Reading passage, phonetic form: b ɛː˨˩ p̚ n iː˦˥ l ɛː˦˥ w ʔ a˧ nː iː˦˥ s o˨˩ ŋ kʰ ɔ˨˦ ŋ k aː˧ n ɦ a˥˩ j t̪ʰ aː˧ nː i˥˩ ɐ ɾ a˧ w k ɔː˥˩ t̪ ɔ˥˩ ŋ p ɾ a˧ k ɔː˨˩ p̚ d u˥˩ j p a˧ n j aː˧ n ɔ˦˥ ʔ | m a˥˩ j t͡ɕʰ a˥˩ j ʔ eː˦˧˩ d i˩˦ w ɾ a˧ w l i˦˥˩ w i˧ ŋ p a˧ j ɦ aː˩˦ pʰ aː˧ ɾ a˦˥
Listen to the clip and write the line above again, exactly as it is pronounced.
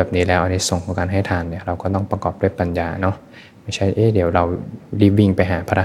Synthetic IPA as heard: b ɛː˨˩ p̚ n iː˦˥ l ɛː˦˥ w ʔ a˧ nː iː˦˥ s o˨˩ ŋ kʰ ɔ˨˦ ŋ k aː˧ n ɦ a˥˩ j t̪ʰ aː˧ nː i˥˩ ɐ ɾ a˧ w k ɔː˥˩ t̪ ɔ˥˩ ŋ p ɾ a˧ k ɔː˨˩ p̚ d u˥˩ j p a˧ n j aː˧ n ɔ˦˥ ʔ | m a˥˩ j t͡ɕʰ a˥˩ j ʔ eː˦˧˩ d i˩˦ w ɾ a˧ w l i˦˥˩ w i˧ ŋ p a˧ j ɦ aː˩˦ pʰ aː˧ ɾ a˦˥